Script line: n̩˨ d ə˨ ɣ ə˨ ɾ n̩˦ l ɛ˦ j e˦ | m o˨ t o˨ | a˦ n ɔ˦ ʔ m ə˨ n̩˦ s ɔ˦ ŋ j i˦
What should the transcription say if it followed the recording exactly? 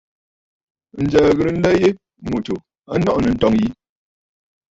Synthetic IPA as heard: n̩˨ d͡ʒ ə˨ ɣ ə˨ ɾ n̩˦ l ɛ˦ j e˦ | m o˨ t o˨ | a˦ n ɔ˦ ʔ n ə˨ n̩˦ t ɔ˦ ŋ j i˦